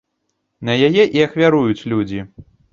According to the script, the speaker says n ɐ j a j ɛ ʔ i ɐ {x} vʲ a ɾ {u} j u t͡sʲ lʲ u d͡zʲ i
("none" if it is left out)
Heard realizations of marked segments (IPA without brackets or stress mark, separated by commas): x, u